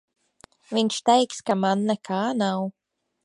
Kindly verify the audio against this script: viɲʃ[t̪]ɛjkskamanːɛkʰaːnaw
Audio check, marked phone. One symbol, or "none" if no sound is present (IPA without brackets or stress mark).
t̪